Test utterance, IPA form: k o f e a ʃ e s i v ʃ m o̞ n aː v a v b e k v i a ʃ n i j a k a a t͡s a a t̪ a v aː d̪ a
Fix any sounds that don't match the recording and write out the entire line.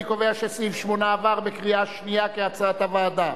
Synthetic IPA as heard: k o v e a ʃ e s i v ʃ m o̞ n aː v a ʁ b e k ʁ i a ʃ n i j a k e a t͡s a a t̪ a v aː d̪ a